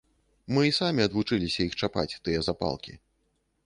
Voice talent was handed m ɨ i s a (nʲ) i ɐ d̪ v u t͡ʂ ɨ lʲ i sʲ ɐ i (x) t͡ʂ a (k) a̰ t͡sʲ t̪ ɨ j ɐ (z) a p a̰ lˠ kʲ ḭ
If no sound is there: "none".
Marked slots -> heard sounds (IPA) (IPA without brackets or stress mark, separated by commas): mʲ, x, p, z